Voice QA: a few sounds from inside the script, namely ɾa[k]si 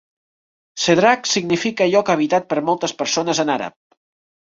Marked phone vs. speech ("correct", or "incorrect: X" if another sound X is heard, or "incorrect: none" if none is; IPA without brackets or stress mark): correct